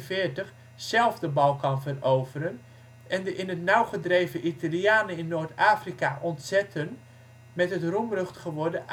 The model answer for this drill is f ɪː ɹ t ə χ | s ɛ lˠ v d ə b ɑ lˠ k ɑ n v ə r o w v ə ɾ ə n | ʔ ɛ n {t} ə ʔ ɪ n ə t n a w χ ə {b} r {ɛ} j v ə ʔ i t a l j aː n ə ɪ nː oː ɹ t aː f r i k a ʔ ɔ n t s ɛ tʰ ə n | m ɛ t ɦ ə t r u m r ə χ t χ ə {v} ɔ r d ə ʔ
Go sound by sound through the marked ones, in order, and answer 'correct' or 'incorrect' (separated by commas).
incorrect, incorrect, incorrect, incorrect